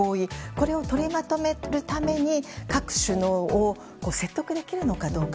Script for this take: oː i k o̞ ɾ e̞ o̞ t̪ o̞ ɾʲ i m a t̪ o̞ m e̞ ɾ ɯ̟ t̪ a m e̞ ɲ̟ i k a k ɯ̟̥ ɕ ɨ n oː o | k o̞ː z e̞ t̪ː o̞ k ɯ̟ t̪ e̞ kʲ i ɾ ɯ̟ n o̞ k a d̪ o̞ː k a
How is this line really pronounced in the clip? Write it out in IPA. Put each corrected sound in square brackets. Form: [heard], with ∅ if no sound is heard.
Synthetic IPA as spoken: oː i k o̞ ɾ e̞ o̞ t̪ o̞ ɾʲ i m a t̪ o̞ m e̞ ɾ ɯ̟ t̪ a m e̞ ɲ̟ i k a k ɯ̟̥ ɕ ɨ n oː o | k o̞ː [s] e̞ t̪ː o̞ k ɯ̟ [d̪] e̞ kʲ i ɾ ɯ̟ n o̞ k a d̪ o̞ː k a